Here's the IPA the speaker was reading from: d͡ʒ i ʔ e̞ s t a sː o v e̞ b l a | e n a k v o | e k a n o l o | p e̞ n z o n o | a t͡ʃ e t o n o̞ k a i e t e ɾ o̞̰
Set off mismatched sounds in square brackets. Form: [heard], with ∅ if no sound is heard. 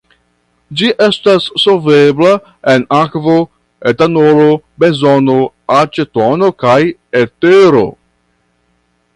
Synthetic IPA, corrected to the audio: d͡ʒ i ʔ e̞ s t a sː o v e̞ b l a | e n a k v o | e [t] a n o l o | [b] e̞ n z o n o | a t͡ʃ e t o n o̞ k a [j] e t e ɾ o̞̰